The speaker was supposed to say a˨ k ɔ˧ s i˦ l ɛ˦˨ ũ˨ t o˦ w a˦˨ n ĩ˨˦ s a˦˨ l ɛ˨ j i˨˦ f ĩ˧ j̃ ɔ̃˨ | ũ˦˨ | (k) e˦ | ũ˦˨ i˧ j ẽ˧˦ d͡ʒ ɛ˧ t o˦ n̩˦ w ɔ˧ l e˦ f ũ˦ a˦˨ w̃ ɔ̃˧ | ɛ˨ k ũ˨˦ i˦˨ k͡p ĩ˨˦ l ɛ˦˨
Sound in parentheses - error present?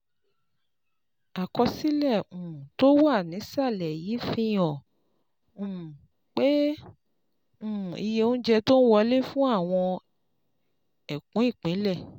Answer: yes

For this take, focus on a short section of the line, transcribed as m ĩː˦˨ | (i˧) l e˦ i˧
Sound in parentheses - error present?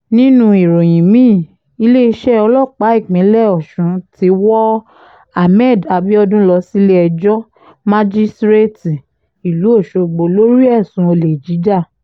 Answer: no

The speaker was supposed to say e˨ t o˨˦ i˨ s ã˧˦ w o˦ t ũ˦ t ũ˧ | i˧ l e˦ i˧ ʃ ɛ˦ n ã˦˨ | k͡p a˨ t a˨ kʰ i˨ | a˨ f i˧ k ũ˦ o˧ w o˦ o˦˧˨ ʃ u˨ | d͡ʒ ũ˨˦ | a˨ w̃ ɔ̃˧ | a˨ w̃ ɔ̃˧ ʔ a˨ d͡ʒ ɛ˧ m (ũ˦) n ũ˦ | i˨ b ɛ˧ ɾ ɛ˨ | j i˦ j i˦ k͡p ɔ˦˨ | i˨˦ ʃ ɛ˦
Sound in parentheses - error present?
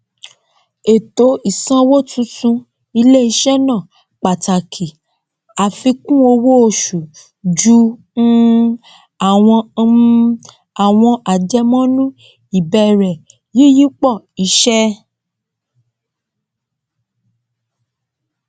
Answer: yes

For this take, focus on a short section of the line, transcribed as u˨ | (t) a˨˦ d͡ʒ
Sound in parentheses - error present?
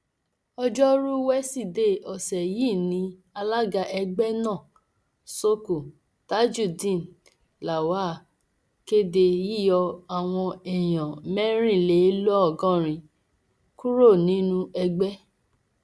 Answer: no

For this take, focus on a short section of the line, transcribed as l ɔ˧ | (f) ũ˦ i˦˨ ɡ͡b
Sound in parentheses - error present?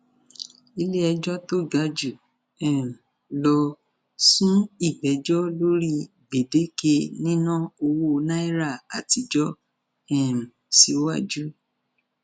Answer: yes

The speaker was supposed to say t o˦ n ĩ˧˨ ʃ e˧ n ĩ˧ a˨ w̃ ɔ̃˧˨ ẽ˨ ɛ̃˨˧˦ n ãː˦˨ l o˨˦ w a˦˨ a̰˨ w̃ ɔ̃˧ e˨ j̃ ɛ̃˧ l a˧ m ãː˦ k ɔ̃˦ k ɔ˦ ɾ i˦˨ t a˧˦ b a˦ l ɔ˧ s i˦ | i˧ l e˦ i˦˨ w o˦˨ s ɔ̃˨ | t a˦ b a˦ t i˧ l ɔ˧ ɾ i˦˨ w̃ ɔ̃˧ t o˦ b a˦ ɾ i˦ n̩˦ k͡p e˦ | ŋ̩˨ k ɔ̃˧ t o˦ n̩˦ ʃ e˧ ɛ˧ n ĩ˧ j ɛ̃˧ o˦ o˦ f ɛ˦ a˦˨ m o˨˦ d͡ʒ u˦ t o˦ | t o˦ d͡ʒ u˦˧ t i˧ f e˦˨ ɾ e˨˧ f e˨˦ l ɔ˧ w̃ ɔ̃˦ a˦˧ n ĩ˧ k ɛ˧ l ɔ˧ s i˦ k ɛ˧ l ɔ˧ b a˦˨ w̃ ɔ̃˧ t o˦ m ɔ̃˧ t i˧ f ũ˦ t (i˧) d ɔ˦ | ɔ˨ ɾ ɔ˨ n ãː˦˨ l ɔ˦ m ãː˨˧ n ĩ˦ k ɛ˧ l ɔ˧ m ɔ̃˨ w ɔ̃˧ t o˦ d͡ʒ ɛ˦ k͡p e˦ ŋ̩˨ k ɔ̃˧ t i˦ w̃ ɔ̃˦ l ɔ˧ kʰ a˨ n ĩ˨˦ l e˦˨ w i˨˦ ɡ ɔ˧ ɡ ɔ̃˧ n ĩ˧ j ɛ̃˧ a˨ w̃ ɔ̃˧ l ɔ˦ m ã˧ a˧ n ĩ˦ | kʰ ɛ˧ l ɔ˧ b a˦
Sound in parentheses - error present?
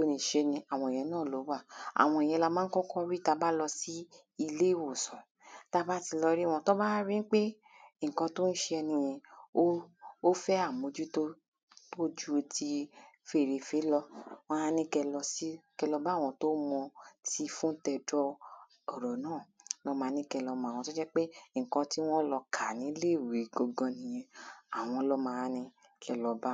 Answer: yes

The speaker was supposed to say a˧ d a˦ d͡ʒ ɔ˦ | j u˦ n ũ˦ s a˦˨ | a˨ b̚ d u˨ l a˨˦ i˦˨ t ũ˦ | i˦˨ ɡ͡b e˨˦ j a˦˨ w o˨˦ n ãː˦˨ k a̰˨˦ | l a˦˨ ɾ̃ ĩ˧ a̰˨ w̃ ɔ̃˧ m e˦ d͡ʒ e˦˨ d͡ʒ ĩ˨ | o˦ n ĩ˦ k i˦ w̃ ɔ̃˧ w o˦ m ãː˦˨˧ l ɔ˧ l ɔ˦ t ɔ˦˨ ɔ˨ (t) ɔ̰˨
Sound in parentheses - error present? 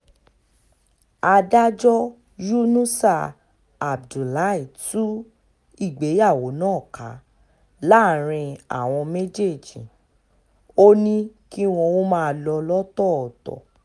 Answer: no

